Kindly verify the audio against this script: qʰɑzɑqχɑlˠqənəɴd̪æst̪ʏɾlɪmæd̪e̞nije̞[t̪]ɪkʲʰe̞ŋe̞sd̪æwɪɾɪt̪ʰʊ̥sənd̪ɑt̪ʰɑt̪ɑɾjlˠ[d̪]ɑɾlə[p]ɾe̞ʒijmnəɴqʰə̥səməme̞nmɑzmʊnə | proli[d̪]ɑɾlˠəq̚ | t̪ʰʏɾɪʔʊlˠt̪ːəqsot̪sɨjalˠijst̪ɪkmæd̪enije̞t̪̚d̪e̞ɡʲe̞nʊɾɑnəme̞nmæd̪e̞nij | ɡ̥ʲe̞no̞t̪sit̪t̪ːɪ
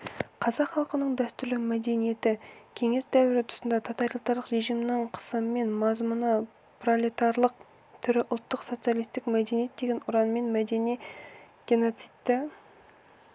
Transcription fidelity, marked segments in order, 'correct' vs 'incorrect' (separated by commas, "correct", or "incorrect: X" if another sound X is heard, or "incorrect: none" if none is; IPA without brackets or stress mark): correct, incorrect: t̪, incorrect: q, incorrect: t̪